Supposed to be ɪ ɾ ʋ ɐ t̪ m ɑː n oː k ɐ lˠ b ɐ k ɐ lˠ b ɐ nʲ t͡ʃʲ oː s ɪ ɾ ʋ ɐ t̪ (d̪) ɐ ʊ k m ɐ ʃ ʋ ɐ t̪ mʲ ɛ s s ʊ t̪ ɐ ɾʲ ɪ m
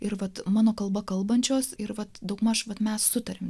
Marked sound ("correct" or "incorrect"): correct